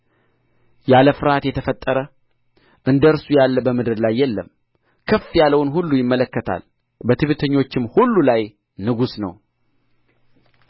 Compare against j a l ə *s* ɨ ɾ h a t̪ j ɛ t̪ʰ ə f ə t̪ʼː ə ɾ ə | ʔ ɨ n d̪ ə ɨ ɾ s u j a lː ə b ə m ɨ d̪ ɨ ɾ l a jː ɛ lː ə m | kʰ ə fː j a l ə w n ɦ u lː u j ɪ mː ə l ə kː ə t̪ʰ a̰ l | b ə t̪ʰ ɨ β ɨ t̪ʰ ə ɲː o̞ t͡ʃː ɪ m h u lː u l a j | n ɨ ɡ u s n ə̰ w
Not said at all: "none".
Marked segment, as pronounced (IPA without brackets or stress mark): f